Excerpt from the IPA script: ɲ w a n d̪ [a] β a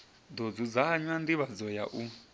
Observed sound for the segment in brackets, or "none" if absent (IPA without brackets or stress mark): i